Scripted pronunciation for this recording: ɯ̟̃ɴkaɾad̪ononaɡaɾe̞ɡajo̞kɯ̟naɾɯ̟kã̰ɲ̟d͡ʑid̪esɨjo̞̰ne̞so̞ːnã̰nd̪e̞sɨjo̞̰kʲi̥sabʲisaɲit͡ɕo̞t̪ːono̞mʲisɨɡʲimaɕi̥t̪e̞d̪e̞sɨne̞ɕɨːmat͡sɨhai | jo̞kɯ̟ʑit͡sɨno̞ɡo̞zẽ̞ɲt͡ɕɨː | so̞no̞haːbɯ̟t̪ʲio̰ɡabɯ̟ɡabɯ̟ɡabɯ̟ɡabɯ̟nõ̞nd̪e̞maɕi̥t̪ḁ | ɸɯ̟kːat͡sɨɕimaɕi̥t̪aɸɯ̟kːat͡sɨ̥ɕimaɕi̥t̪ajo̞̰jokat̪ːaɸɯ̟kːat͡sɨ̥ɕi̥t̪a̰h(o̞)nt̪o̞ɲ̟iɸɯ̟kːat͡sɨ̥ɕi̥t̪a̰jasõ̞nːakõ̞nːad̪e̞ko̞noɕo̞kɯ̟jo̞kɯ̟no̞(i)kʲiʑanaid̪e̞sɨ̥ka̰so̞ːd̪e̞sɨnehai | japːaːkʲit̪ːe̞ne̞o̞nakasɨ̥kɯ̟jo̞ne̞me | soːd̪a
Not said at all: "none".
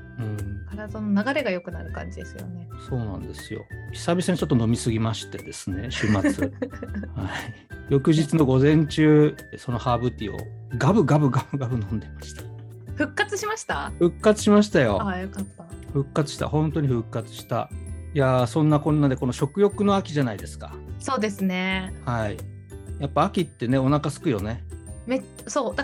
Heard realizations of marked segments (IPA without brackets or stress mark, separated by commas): õ̞, a